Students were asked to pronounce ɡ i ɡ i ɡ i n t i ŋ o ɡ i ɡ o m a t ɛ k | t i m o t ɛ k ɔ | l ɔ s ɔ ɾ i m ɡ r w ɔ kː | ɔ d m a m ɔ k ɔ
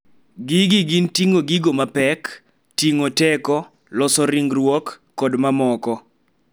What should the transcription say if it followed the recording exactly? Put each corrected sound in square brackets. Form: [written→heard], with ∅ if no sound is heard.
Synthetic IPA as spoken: ɡ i ɡ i ɡ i n t i ŋ o ɡ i ɡ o m a [t→p] ɛ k | t i [m→ŋ] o t ɛ k ɔ | l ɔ s ɔ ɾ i [m→ŋ] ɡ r w ɔ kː | ɔ d m a m ɔ k ɔ